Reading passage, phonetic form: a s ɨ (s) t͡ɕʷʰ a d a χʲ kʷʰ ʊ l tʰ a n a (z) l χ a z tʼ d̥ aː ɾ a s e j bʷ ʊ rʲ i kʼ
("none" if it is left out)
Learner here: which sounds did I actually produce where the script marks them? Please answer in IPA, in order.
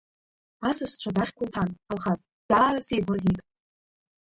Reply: s, none

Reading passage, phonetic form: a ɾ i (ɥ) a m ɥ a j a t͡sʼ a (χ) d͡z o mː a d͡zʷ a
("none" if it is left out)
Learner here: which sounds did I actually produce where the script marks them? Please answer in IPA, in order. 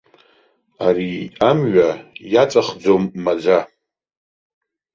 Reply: none, χ

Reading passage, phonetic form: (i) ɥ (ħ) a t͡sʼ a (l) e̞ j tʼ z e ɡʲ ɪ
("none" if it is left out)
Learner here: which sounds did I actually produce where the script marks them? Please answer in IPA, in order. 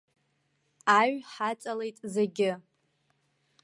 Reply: a, ħ, l

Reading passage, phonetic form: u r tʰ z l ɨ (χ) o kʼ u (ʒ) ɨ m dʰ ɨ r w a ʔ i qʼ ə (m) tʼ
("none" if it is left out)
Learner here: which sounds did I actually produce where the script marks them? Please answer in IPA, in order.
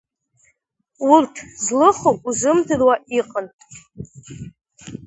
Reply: χ, z, n

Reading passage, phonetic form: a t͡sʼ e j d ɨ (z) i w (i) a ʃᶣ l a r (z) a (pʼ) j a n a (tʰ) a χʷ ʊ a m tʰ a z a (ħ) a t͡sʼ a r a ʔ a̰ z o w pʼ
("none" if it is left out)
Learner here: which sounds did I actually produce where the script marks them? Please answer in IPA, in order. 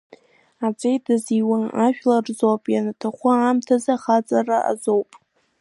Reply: z, a, z, pʼ, tʰ, χ

